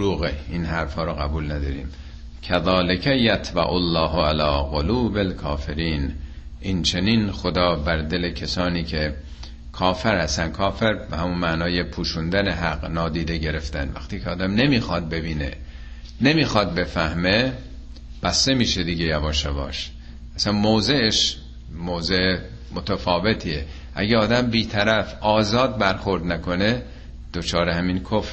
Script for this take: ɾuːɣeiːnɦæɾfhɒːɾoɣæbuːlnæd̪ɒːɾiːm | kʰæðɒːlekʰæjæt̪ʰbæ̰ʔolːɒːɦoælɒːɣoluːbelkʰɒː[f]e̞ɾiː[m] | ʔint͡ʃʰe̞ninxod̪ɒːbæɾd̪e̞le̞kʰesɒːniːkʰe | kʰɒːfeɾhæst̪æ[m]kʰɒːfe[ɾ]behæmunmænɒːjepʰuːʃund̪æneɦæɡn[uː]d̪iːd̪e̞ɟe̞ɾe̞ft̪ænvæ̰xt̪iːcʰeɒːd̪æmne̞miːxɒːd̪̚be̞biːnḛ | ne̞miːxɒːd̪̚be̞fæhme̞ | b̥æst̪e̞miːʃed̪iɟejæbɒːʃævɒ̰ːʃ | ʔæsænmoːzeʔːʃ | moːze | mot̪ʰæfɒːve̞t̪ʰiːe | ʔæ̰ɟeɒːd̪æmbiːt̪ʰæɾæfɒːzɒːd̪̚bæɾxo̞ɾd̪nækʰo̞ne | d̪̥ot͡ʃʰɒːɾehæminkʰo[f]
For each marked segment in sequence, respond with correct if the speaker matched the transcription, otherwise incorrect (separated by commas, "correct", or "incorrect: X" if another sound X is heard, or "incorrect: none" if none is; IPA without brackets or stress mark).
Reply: correct, incorrect: n, incorrect: n, correct, incorrect: ɒː, correct